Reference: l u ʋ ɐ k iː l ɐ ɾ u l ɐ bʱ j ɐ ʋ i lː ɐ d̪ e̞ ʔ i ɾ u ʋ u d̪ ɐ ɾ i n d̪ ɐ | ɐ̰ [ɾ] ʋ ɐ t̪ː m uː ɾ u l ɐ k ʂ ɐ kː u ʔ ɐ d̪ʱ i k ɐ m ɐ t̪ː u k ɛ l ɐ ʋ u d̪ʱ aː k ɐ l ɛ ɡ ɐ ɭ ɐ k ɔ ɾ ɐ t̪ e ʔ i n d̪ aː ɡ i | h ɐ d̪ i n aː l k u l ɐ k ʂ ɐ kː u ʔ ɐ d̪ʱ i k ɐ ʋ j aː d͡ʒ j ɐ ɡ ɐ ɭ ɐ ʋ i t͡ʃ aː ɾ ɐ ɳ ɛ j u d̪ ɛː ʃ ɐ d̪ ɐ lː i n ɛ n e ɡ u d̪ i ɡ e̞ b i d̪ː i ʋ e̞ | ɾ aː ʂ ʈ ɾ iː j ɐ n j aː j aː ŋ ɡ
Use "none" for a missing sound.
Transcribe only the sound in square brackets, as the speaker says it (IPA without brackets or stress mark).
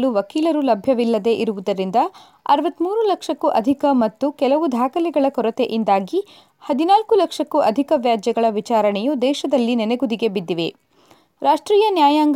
ɾ